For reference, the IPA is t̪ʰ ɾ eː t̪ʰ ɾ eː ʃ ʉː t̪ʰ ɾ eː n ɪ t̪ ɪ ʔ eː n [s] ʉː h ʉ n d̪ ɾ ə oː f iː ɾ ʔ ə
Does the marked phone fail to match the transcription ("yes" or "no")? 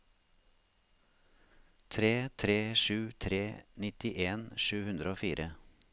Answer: yes